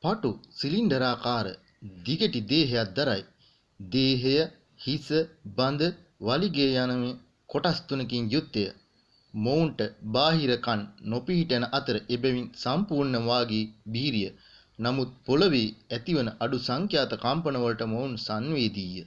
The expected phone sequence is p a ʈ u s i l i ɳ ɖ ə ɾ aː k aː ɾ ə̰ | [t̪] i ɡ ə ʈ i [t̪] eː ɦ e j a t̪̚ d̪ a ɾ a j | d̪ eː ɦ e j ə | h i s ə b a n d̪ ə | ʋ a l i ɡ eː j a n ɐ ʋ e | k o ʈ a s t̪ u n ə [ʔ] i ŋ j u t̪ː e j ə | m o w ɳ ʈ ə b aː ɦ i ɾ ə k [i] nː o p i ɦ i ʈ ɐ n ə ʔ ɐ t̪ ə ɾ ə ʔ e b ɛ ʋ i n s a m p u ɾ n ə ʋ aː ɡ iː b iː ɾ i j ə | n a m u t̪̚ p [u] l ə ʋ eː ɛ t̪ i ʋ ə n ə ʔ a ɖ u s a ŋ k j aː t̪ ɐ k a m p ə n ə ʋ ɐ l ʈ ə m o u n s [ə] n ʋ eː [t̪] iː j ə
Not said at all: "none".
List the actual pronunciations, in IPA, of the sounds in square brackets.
d̪, d̪, k, a, o, a, d̪

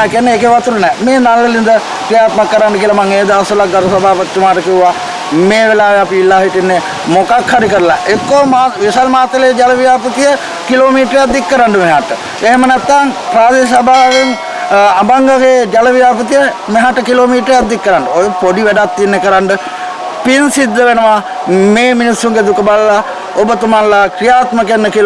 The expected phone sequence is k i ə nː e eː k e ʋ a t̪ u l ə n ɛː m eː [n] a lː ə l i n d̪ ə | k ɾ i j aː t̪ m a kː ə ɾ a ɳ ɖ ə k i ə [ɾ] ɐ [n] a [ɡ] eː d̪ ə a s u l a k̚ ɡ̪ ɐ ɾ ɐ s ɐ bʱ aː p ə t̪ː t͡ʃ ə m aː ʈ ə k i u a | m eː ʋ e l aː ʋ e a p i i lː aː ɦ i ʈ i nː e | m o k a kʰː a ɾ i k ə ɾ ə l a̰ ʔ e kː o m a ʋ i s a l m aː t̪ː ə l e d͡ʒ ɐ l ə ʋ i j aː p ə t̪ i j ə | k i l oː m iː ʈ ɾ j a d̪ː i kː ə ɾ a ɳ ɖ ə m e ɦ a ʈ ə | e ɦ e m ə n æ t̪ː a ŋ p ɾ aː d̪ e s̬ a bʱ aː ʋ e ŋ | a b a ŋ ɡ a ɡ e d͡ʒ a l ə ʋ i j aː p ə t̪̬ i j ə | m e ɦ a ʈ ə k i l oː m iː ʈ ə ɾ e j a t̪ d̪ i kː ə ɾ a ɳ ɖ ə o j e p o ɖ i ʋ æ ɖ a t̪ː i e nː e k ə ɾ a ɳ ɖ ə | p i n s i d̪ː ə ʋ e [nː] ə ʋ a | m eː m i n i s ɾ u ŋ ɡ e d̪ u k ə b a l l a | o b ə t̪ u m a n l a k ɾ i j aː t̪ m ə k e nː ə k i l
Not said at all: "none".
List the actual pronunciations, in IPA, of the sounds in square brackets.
n, l, m, ŋ, n

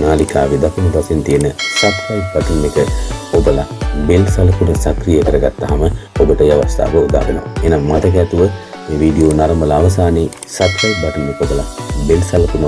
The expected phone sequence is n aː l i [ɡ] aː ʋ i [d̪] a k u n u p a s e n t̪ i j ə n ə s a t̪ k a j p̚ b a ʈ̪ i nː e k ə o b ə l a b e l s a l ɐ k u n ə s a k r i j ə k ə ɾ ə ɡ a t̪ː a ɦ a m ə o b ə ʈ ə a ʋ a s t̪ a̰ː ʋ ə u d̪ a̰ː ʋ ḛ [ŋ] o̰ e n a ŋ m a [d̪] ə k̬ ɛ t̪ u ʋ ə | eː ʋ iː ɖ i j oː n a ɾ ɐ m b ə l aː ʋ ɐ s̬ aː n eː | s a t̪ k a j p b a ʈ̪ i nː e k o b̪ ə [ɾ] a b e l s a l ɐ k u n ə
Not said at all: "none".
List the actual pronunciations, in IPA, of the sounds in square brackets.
k, d̪, n, t̪, l

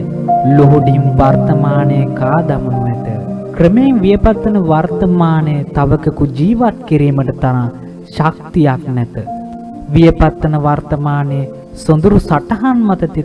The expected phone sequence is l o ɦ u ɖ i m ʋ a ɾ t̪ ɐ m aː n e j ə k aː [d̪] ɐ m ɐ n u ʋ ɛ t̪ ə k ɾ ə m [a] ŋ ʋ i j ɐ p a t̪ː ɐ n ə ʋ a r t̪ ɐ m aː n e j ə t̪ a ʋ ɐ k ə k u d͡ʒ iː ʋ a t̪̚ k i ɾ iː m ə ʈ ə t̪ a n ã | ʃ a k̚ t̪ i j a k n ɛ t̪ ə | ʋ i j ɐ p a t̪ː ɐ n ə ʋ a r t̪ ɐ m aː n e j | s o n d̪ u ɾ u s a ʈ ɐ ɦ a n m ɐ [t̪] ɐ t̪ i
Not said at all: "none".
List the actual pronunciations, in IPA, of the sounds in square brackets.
d̪, e, t̪

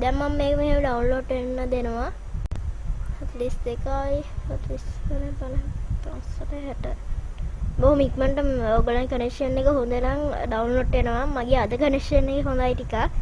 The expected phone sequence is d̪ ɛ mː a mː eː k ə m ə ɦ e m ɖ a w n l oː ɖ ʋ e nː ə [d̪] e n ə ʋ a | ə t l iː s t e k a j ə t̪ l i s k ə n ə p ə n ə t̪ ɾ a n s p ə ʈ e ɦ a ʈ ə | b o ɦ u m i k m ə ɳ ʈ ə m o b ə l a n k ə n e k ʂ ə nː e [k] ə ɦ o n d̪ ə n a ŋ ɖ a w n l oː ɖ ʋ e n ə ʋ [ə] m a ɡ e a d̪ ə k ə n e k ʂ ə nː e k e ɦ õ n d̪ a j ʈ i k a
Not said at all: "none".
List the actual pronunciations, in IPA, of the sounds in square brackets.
d̪, k, a

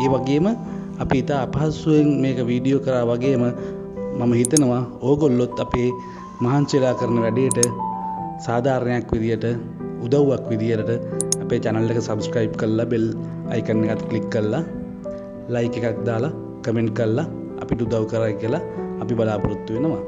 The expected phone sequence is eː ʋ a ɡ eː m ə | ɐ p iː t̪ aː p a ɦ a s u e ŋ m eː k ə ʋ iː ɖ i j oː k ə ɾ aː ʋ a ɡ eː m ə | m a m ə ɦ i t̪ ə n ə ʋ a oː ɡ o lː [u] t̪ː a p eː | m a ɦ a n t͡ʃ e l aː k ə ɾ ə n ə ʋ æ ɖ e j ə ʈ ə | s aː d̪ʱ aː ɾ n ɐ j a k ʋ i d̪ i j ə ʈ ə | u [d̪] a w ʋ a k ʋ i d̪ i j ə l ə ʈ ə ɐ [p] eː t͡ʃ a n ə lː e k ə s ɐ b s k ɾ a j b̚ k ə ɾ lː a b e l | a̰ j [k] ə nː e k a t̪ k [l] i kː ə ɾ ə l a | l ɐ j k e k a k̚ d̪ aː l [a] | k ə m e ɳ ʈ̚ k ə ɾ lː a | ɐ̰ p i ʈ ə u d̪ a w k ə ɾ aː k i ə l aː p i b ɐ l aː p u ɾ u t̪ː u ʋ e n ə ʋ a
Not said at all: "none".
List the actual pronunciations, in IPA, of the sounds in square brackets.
o, d̪, p, k, l, a

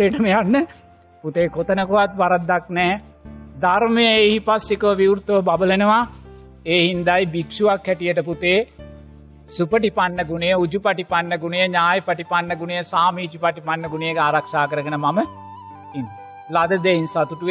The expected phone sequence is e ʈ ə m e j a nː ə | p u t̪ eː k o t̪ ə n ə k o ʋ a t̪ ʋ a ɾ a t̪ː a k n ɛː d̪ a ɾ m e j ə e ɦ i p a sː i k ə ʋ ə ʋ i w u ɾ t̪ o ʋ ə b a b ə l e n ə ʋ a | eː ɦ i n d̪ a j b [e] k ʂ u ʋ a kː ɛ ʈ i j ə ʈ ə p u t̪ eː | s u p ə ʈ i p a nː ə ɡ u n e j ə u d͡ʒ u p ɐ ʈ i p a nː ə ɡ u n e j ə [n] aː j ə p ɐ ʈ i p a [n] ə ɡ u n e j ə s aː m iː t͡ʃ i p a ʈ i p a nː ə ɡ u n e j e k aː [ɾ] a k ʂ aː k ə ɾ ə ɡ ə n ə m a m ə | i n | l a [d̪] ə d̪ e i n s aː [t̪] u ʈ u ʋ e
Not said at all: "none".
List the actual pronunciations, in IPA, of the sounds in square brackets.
i, ɲ, nː, ɾ, d̪, t̪

